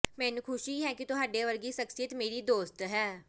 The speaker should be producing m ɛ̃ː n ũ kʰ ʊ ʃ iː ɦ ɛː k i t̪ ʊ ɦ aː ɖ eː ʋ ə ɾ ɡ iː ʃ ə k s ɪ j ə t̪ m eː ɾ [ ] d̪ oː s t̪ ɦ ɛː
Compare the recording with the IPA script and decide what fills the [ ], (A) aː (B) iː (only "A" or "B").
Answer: B